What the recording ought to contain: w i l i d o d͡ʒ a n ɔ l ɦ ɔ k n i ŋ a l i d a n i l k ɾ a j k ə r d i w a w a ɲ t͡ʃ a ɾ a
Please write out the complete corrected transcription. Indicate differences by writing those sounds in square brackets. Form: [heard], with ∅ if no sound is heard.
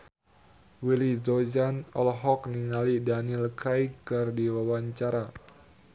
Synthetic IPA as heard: w i l i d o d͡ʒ a n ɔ l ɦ ɔ k n i ŋ a l i d a n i l k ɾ a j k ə r d i w a w a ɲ t͡ʃ a ɾ a

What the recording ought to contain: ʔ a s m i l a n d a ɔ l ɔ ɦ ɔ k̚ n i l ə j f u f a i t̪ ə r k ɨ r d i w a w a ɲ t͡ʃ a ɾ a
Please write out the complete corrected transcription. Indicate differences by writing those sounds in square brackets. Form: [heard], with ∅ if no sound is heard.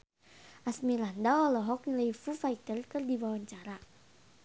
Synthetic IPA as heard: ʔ a s m i l a n d a ɔ l ɔ ɦ ɔ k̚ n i l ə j f u f a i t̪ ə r k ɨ r d i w a w a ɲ t͡ʃ a ɾ a

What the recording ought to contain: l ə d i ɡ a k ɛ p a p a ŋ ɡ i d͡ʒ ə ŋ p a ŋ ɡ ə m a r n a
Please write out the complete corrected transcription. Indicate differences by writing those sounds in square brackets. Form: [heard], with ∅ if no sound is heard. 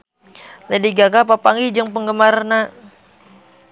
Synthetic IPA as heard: l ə d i ɡ a k [a] p a p a ŋ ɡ i d͡ʒ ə ŋ p [ə] ŋ ɡ ə m a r n a

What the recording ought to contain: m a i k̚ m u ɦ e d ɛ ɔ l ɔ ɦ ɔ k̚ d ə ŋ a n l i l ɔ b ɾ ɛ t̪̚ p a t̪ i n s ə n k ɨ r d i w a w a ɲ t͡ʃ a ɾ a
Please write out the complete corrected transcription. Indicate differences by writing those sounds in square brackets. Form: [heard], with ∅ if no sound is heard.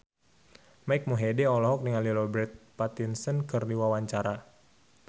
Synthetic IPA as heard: m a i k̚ m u ɦ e d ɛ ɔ l ɔ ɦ ɔ k̚ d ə ŋ a n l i l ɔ b ɾ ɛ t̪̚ p a t̪ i n s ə n k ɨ r d i w a w a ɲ t͡ʃ a ɾ a

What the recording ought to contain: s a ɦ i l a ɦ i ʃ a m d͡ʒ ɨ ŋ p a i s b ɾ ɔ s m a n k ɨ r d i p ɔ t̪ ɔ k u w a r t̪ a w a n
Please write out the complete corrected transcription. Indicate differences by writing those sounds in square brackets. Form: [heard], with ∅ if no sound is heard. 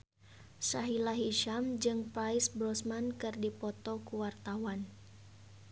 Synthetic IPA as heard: s a ɦ i l a ɦ i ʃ a m d͡ʒ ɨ ŋ p a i s b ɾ ɔ s m a n k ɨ r d i p ɔ t̪ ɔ k u w a r t̪ a w a n

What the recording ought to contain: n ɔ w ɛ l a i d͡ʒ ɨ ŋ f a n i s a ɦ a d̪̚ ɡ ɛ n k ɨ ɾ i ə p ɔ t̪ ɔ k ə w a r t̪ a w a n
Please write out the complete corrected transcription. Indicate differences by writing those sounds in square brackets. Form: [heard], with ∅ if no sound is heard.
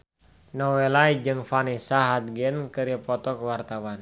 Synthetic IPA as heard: n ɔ w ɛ l a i d͡ʒ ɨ ŋ f a n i s a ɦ a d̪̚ ɡ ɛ n k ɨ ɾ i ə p ɔ t̪ ɔ k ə w a r t̪ a w a n

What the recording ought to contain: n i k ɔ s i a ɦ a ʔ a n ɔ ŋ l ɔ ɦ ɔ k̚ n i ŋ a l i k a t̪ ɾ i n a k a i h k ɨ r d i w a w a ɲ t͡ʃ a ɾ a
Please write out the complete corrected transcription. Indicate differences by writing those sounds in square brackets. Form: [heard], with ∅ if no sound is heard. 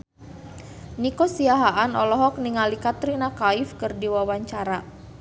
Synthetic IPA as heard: n i k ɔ s i a ɦ a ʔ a n ɔ [∅] l ɔ ɦ ɔ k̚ n i ŋ a l i k a t̪ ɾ i n a k a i [f] k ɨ r d i w a w a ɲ t͡ʃ a ɾ a

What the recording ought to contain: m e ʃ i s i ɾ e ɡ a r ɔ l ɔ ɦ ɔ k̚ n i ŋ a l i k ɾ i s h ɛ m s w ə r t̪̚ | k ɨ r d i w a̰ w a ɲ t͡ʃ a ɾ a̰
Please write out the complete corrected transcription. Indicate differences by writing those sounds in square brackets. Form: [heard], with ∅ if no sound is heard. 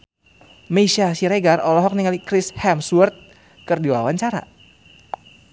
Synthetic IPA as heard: m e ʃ [a] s i ɾ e ɡ a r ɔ l ɔ ɦ ɔ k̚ n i ŋ a l i k ɾ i s h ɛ m s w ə r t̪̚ | k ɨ r d i w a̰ w a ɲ t͡ʃ a ɾ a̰

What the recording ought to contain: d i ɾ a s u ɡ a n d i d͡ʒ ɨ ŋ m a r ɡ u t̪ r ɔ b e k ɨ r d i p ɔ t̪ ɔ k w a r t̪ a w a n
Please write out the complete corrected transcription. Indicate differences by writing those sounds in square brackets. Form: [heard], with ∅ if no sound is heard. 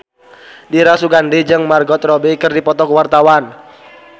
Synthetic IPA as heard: d i ɾ a s u ɡ a n d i d͡ʒ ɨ ŋ m a r ɡ [ɔ] t̪ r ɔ b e k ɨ r d i p ɔ t̪ ɔ k w a r t̪ a w a n

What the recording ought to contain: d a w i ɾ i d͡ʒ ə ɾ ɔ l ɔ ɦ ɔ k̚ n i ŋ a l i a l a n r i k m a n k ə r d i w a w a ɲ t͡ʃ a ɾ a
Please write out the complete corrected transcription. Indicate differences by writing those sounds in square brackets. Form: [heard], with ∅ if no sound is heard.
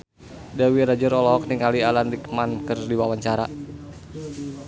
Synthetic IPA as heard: d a w i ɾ [a] d͡ʒ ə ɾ ɔ l ɔ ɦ ɔ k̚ n i ŋ a l i a l a n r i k m a n k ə r d i w a w a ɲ t͡ʃ a ɾ a

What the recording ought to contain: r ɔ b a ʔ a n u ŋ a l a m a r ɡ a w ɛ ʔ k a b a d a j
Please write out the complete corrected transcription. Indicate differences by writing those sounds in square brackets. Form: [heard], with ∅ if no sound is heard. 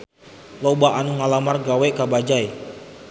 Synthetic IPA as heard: [l] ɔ b a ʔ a n u ŋ a l a m a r ɡ a w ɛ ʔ k a b a [d͡ʒ] a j

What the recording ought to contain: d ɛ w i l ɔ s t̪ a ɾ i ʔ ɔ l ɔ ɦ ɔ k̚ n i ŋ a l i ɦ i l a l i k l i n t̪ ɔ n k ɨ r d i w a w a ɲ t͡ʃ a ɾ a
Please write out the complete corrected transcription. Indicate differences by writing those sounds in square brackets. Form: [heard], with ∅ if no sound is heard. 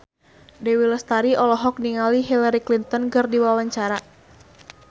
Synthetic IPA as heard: d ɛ w i l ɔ s t̪ a ɾ i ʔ ɔ l ɔ ɦ ɔ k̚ n i ŋ a l i ɦ i l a [ɾ] i k l i n t̪ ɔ n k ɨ r d i w a w a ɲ t͡ʃ a ɾ a

